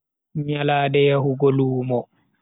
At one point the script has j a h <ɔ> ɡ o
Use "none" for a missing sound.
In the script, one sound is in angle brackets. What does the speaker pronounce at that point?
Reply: u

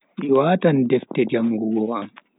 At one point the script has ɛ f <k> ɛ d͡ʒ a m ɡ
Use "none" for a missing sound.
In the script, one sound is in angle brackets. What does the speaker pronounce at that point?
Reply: t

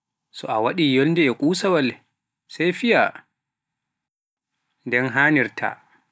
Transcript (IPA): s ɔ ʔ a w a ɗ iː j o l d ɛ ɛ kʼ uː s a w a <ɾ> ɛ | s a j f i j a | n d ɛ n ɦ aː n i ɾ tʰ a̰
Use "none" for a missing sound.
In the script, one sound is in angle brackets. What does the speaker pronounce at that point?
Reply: l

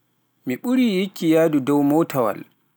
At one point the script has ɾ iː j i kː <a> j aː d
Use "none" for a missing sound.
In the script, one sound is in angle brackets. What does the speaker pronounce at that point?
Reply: i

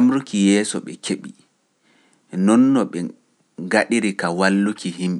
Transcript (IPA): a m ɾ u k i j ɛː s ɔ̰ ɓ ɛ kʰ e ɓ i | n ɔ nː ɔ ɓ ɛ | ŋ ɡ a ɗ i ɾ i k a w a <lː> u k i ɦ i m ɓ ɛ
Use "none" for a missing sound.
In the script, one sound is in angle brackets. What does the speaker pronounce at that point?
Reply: lː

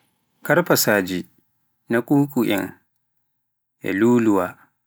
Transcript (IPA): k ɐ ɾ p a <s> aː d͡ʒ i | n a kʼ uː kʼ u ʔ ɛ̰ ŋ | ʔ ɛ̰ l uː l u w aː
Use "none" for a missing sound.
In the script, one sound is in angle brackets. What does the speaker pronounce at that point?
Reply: s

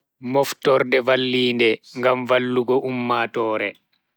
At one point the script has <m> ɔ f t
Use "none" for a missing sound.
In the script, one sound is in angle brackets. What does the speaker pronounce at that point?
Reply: m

